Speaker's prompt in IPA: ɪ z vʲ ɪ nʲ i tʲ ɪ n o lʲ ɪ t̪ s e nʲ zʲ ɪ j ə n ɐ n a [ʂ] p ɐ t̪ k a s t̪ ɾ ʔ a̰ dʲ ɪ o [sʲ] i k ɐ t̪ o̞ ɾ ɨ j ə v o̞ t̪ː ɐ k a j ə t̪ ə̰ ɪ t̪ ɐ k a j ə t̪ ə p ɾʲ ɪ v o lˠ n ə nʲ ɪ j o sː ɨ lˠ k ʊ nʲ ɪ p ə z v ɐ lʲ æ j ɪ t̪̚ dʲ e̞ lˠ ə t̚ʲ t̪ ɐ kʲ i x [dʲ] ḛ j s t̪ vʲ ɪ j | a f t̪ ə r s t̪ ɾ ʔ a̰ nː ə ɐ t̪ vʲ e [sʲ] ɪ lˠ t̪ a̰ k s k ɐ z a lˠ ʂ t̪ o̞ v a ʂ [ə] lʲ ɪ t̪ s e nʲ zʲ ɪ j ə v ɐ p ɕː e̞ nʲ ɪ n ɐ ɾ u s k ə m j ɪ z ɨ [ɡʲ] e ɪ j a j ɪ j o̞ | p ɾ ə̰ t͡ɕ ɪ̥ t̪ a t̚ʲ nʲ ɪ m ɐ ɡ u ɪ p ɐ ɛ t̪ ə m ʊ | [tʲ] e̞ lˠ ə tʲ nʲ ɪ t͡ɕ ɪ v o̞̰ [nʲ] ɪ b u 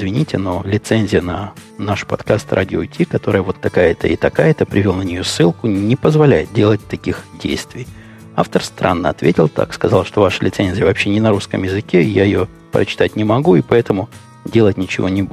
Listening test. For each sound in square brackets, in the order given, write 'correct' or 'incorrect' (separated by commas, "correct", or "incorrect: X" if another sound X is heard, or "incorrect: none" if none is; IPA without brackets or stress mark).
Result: correct, incorrect: tʲ, correct, incorrect: tʲ, correct, incorrect: kʲ, incorrect: dʲ, correct